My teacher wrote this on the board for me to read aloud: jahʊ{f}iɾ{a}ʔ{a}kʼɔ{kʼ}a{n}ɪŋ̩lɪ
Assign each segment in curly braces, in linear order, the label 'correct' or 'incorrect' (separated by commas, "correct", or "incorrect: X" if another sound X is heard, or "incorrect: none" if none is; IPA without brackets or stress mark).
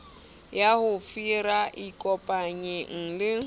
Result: correct, correct, incorrect: i, incorrect: pʼ, incorrect: ɲ